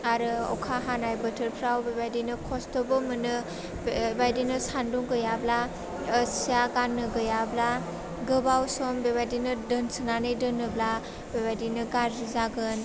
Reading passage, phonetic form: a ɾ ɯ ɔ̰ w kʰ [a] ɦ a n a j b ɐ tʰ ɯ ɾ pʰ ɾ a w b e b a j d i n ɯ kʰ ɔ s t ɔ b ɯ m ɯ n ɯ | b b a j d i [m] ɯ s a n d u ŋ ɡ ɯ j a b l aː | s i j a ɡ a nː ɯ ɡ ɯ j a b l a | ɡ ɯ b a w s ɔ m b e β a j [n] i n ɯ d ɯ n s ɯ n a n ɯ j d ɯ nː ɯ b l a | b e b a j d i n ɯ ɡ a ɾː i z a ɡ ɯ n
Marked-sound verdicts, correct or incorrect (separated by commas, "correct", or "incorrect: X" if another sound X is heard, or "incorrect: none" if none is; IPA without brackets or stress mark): correct, incorrect: n, incorrect: d